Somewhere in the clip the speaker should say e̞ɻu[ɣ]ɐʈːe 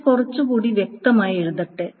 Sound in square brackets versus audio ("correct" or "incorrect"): incorrect